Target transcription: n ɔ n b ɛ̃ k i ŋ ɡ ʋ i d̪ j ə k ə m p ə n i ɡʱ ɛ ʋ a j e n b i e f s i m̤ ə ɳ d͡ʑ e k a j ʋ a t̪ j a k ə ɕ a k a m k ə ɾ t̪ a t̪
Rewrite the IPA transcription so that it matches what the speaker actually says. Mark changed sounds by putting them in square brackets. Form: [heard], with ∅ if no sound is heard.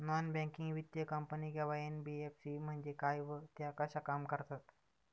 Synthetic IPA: n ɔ n b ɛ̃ k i ŋ ɡ ʋ i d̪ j ə k ə m p ə n i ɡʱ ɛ ʋ a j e n b i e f s i m̤ ə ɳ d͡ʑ e k a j ʋ [ə] t̪ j a k ə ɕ a k a m k ə ɾ t̪ a t̪